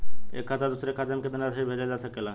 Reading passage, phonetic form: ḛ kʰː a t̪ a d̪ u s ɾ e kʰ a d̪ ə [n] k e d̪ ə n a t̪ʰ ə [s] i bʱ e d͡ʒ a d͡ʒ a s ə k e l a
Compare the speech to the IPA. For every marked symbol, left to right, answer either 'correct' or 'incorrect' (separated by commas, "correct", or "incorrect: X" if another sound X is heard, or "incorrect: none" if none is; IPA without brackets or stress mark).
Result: incorrect: m, incorrect: none